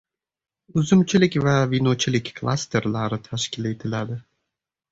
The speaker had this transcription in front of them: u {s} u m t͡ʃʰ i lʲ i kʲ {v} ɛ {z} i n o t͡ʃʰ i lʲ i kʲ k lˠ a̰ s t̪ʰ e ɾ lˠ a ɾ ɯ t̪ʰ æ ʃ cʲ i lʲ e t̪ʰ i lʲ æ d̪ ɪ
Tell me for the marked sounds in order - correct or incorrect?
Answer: incorrect: z, correct, incorrect: v

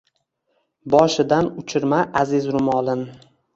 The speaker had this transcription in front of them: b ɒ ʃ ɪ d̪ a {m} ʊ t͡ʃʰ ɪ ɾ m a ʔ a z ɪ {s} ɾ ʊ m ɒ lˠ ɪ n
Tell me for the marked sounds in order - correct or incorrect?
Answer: incorrect: n, incorrect: z

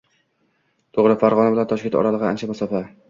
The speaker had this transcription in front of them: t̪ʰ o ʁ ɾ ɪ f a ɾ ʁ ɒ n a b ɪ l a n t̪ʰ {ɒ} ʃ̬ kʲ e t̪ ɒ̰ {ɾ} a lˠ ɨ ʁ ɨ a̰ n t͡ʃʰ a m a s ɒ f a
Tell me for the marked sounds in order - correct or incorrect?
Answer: correct, correct

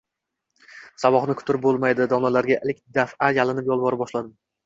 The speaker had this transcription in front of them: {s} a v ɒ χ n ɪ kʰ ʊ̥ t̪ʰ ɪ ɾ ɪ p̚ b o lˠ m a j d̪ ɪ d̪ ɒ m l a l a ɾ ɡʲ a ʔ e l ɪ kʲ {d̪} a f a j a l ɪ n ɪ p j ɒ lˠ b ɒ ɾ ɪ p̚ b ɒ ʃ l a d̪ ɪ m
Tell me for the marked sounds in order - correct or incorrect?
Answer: correct, correct

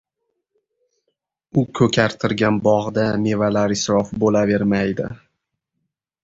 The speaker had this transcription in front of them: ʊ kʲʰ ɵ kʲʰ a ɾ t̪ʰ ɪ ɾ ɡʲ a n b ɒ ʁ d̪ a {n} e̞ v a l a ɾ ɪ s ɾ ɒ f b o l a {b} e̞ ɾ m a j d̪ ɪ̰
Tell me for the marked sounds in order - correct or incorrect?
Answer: incorrect: m, incorrect: v

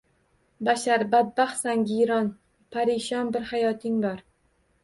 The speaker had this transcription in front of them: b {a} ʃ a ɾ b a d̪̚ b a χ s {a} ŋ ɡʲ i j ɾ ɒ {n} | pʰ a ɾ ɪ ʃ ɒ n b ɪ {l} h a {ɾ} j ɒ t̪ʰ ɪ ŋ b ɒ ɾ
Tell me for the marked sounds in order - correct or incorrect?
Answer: correct, correct, correct, incorrect: ɾ, incorrect: none

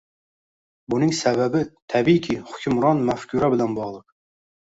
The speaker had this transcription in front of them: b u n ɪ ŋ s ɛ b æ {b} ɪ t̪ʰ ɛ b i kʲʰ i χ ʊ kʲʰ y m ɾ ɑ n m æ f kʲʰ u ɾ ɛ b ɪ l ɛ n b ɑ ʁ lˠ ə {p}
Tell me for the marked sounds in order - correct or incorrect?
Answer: correct, incorrect: q

